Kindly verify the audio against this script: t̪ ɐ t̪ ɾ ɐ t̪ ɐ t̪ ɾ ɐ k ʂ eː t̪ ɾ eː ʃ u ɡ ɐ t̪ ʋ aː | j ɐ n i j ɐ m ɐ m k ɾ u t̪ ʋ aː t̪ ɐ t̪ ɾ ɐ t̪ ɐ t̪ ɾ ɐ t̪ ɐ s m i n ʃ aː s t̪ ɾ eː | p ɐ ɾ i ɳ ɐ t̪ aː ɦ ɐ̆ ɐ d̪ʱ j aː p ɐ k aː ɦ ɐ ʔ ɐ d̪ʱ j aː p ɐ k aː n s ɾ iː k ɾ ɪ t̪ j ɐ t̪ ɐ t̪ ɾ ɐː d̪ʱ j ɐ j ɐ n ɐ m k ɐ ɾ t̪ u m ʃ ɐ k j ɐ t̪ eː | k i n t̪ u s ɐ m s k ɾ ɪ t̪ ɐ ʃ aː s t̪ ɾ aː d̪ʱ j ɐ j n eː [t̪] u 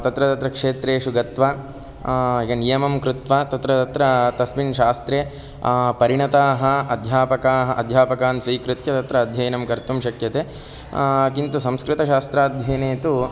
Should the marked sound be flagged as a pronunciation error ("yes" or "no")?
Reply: no